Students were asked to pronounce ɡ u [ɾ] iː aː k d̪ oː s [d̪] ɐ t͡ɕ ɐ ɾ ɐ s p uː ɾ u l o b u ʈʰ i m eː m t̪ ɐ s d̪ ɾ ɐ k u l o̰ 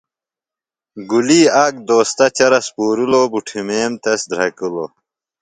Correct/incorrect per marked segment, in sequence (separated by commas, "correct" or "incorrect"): incorrect, incorrect